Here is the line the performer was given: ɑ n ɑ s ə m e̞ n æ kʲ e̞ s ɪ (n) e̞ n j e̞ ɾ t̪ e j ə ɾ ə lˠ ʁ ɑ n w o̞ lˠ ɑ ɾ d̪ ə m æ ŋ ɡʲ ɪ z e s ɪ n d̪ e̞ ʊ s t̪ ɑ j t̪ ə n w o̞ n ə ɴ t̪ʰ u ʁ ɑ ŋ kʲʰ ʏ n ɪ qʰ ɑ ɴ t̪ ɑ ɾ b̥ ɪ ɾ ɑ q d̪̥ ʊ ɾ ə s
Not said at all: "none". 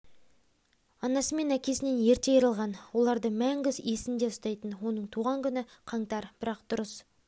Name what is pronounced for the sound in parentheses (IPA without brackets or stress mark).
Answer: n